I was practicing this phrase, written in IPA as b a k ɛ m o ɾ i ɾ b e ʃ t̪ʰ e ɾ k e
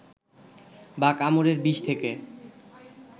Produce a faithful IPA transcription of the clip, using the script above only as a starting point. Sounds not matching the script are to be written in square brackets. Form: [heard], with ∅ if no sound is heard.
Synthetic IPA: b a k [a] m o ɾ [e] ɾ b [i] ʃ t̪ʰ e [∅] k e